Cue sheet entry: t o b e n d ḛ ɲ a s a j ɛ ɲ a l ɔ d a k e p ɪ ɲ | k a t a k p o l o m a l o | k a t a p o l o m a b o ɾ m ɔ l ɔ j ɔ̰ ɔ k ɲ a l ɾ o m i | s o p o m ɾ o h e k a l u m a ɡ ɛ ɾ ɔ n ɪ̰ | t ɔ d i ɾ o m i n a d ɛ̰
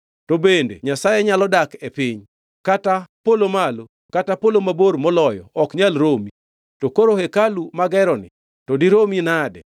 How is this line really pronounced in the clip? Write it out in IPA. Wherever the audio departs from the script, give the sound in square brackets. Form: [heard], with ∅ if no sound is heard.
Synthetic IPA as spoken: t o b e n d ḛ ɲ a s a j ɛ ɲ a l ɔ d a k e p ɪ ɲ | k a t a [∅] p o l o m a l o | k a t a p o l o m a b o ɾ m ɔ l ɔ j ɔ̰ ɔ k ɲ a l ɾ o m i | [t] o [k] o [∅] ɾ o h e k a l u m a ɡ ɛ ɾ ɔ n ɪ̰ | t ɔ d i ɾ o m i n a d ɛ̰